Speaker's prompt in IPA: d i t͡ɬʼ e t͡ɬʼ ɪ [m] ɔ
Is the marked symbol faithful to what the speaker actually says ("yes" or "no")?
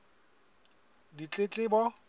no